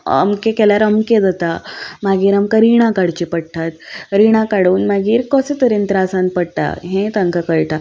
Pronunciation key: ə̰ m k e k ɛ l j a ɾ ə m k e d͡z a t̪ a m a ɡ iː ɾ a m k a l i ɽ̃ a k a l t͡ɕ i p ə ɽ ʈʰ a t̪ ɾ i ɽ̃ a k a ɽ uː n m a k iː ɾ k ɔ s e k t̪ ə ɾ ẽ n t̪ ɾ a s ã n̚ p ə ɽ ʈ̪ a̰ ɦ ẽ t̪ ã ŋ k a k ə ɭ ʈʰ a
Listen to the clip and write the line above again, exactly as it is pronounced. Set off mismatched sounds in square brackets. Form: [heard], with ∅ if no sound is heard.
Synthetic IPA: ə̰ m k e k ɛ l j a ɾ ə m k e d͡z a t̪ a m a ɡ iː ɾ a m k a [ɾ] i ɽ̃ a k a [ɽ] t͡ɕ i p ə ɽ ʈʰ a t̪ ɾ i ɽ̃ a k a ɽ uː n m a [ɡ] iː ɾ k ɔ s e [∅] t̪ ə ɾ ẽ n t̪ ɾ a s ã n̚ p ə ɽ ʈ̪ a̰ ɦ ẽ t̪ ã ŋ k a k ə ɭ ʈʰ a